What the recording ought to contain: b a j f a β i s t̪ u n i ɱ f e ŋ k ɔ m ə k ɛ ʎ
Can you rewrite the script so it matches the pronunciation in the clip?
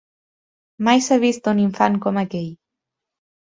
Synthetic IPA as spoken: m a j s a β i s t̪ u n i ɱ f a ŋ k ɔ m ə k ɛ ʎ

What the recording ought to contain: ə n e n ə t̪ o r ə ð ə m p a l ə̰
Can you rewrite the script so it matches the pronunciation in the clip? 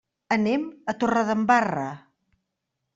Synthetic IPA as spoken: ə n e m ə t̪ o r ə ð ə m b a r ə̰

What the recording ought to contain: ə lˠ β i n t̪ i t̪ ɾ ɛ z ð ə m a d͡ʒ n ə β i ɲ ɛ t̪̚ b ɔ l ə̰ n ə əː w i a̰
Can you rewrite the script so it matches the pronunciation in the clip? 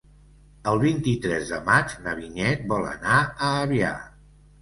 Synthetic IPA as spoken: ə lˠ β i n t̪ i t̪ ɾ ɛ z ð ə m a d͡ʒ n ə β i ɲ ɛ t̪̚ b ɔ l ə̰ n a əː β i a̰

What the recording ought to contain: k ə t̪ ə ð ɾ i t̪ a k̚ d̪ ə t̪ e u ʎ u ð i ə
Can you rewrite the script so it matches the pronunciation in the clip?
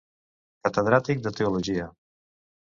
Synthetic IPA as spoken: k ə t̪ ə ð ɾ a t̪ i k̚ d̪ ə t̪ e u l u ʒ i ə

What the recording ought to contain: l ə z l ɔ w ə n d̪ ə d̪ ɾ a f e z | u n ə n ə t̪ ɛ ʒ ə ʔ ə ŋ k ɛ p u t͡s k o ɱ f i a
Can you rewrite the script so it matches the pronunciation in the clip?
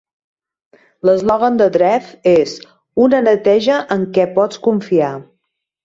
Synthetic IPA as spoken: l ə z l ɔ ɣ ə n d̪ ə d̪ ɾ ɛ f e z | u n ə n ə t̪ ɛ ʒ ə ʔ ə ŋ k ɛ p ɔ t͡s k u ɱ f i a

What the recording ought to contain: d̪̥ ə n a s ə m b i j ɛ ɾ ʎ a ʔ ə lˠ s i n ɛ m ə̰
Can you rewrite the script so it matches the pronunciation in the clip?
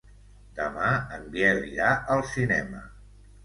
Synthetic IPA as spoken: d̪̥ ə m a ə m b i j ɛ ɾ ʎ a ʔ ə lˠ s i n ɛ m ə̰

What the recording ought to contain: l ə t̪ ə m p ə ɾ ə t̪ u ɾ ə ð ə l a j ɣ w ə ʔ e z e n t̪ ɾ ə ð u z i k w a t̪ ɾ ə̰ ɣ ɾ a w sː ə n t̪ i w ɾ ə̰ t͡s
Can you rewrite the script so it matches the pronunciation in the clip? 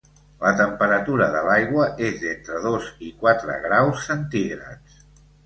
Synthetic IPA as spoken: l ə t̪ ə m p ə ɾ ə t̪ u ɾ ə ð ə l a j ɣ w ə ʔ e z e n t̪ ɾ ə ð o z i k w a t̪ ɾ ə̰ ɣ ɾ a w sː ə n t̪ i ɣ ɾ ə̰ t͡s

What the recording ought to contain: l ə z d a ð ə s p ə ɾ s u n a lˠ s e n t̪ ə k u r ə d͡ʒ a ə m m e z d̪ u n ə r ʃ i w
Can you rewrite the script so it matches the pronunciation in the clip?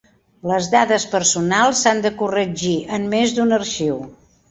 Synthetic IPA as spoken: l ə z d a ð ə s p ə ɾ s u n a lˠ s a n d̪ ə k u r ə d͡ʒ i ə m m e z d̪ u n ə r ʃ i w

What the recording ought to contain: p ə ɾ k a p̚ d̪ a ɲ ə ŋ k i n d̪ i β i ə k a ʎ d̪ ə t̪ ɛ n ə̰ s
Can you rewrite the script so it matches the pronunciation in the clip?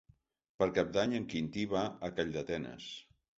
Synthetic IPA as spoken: p ə ɾ k a p̚ d̪ a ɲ ə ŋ k i n t̪ i β a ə k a ʎ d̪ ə t̪ ɛ n ə̰ s

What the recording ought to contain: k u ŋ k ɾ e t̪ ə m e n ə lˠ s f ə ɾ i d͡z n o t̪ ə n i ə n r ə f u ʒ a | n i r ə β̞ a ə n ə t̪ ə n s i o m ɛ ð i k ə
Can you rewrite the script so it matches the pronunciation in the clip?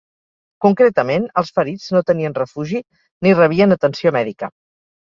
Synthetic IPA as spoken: k u ŋ k ɾ e t̪ ə m e n ə lˠ s f ə ɾ i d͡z n o t̪ ə n i ə n r ə f u ʒ i | n i r ə β̞ i ə n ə t̪ ə n s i o m ɛ ð i k ə

